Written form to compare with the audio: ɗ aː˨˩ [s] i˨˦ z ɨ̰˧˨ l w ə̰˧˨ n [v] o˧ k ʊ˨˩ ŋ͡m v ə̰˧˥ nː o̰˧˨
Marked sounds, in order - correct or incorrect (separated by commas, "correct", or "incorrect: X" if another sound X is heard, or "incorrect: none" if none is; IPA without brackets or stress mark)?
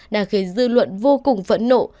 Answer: incorrect: x, correct